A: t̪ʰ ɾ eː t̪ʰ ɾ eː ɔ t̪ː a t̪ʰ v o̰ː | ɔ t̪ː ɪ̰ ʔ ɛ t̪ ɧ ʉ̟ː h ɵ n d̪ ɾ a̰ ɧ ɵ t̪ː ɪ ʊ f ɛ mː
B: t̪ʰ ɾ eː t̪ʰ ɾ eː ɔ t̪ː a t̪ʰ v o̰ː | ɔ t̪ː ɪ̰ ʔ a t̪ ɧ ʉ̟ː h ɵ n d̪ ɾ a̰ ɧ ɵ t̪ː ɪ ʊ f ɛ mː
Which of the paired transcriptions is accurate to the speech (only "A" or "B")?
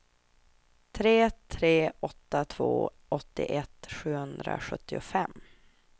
A